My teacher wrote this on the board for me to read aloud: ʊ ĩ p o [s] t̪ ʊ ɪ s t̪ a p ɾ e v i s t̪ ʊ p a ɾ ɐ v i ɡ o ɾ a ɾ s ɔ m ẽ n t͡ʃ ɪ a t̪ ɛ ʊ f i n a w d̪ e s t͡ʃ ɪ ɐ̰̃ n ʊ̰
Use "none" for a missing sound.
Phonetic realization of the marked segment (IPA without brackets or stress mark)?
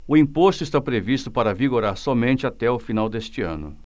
s